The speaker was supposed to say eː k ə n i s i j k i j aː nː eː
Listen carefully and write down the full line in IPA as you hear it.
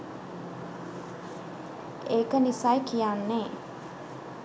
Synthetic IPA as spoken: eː k ə n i s a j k i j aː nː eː